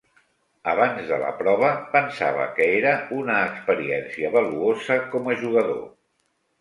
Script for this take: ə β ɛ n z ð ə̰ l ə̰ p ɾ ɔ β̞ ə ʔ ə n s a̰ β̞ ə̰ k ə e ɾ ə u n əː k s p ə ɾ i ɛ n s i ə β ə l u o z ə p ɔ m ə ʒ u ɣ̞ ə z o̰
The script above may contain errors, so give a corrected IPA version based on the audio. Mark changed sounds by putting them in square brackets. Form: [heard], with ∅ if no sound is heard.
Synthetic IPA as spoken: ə β [a] n z ð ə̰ l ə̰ p ɾ ɔ β̞ ə [p] ə n s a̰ β̞ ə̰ k ə e ɾ ə u n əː k s p ə ɾ i ɛ n s i ə β ə l u o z ə [k] ɔ m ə ʒ u ɣ̞ ə [ð] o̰